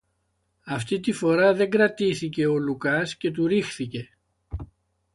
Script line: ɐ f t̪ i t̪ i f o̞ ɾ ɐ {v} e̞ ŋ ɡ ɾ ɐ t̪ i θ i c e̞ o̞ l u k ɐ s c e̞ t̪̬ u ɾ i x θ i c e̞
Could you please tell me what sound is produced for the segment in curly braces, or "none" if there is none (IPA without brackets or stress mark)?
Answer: ð